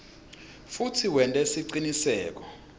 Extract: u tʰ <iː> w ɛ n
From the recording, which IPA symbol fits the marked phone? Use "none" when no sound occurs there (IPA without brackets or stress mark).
i